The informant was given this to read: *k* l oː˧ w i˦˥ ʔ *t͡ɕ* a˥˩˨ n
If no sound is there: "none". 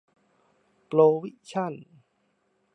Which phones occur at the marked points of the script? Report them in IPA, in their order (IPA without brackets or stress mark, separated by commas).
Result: p, t͡ɕʰ